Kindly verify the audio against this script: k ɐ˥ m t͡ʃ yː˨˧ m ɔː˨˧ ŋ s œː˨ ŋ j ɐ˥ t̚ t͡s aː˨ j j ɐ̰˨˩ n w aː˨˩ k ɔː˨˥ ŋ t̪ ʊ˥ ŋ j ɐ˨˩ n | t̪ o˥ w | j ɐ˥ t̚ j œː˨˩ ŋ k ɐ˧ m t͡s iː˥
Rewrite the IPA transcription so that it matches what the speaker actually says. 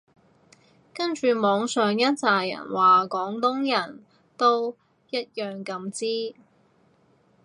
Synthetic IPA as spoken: k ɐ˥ n t͡ʃ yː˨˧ m ɔː˨˧ ŋ s œː˨ ŋ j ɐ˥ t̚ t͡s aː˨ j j ɐ̰˨˩ n w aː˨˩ k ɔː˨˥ ŋ t̪ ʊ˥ ŋ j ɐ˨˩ n | t̪ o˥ w | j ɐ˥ t̚ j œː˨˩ ŋ k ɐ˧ m t͡s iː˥

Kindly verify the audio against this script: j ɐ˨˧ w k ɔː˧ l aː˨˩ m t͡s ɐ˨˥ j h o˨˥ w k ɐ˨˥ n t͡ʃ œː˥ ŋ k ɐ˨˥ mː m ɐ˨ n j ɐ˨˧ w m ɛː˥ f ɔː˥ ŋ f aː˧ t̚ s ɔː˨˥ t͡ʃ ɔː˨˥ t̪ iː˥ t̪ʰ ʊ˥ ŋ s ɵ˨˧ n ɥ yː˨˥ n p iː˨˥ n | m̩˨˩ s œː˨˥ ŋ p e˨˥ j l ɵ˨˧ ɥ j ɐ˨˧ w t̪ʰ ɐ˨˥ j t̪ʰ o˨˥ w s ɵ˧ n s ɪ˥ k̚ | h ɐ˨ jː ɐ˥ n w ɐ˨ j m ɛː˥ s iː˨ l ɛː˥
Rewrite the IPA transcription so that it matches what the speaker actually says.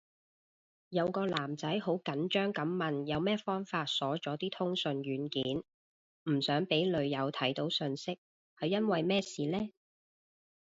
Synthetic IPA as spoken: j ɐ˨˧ w k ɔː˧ l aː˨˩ m t͡s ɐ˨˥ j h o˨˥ w k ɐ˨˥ n t͡ʃ œː˥ ŋ k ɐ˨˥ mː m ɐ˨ n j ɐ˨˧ w m ɛː˥ f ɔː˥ ŋ f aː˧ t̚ s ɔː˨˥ t͡ʃ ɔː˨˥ t̪ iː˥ t̪ʰ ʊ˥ ŋ s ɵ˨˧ n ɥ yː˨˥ n k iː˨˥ n | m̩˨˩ s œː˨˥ ŋ p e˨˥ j l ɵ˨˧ ɥ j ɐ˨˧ w t̪ʰ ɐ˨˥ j t̪ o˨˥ w s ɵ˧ n s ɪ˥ k̚ | h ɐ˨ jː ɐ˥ n w ɐ˨ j m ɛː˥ s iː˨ l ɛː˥

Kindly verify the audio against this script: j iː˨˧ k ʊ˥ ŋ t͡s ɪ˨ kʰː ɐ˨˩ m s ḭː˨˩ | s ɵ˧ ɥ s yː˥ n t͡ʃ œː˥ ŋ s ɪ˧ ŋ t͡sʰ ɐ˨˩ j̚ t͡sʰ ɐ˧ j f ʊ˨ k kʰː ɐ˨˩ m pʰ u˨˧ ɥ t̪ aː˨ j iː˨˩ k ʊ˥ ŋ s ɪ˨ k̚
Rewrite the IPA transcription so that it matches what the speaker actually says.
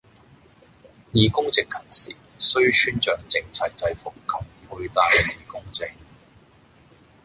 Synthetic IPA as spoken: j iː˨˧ k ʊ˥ ŋ t͡s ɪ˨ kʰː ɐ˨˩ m s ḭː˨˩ | s ɵ˥ ɥ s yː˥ n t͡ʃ œː˨ ŋ t͡s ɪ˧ ŋ t͡sʰ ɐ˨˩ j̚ t͡s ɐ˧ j f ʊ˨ k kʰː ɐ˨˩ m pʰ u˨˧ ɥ t̪ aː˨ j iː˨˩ k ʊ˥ ŋ t͡s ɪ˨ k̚

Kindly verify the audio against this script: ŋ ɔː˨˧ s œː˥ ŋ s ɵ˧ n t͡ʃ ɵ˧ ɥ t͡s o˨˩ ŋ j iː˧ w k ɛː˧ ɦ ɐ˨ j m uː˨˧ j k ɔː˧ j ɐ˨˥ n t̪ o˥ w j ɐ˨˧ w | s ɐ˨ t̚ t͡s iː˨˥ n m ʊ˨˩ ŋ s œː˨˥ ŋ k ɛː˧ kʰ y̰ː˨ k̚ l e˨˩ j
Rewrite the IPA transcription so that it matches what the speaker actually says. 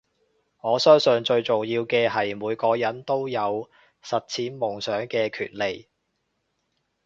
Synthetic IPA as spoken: ŋ ɔː˨˧ s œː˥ ŋ s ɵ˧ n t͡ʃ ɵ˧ ɥ t͡s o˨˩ ŋ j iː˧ w k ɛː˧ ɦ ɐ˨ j m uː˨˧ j k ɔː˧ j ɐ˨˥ n t̪ o˥ w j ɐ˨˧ w | s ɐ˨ t̚ t͡sʰ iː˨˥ n m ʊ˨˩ ŋ s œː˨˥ ŋ k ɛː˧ kʰ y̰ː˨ t̚ l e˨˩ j

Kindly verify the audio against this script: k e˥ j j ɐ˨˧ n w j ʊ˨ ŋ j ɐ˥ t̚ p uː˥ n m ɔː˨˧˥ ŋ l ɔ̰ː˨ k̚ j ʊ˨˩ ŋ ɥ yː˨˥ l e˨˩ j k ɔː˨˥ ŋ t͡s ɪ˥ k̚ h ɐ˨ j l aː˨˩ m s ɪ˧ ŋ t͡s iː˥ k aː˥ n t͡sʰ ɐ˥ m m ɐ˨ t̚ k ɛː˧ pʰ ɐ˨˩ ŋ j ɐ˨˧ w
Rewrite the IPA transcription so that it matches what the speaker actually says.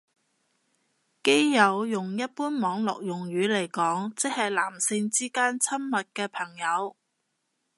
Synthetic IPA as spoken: k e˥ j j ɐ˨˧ w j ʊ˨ ŋ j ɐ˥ t̚ p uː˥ n m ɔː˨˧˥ ŋ l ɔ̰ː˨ k̚ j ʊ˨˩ ŋ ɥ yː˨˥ l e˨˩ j k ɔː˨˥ ŋ t͡s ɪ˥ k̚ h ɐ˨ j l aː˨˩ m s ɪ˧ ŋ t͡s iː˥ k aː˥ n t͡sʰ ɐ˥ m m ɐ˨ t̚ k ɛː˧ pʰ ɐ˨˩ ŋ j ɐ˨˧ w

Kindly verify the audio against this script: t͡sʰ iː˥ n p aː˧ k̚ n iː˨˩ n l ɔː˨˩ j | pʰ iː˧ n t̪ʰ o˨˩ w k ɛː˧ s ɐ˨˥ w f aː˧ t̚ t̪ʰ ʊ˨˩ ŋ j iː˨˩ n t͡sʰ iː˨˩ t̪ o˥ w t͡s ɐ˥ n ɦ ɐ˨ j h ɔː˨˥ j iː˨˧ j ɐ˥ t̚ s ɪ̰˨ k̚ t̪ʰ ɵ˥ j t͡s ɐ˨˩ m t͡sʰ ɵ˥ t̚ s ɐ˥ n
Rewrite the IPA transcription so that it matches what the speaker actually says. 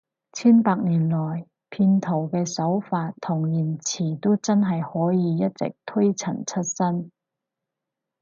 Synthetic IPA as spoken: t͡sʰ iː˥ n p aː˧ k̚ n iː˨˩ n l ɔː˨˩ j | pʰ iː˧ n t̪ʰ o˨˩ w k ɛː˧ s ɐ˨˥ w f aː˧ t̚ t̪ʰ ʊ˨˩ ŋ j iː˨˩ n t͡sʰ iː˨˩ t̪ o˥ w t͡s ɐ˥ n ɦ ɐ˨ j h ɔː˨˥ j iː˨˧ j ɐ˥ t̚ t͡s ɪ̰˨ k̚ t̪ʰ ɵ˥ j t͡sʰ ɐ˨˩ n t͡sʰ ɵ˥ t̚ s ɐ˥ n

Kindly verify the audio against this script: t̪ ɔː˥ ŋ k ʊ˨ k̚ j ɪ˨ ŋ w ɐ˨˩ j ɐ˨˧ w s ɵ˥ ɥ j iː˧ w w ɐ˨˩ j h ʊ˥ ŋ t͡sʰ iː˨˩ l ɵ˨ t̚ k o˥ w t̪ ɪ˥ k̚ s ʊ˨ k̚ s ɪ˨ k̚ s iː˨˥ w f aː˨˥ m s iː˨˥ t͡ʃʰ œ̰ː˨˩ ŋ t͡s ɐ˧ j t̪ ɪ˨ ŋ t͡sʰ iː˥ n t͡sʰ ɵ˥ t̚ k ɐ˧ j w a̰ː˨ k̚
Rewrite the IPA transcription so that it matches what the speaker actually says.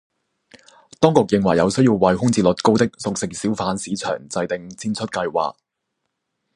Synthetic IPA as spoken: t̪ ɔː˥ ŋ k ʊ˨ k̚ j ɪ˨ ŋ w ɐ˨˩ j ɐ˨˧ w s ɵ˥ ɥ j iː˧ w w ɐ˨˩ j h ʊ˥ ŋ t͡s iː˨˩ l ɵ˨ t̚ k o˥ w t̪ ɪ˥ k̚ s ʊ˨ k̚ s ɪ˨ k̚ s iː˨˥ w f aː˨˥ n s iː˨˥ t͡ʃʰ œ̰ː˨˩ ŋ t͡s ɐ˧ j t̪ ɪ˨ ŋ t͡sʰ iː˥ n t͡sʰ ɵ˥ t̚ k ɐ˧ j w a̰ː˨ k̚

